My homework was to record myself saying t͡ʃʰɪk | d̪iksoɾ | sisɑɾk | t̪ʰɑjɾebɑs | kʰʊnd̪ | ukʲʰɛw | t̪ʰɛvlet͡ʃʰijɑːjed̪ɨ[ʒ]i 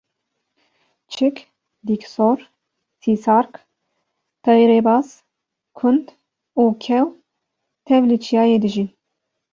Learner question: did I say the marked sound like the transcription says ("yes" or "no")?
yes